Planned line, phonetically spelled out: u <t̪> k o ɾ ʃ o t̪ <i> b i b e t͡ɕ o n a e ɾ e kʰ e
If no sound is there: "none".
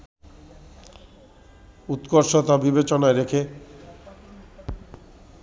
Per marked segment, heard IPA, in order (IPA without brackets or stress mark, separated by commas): t̪, a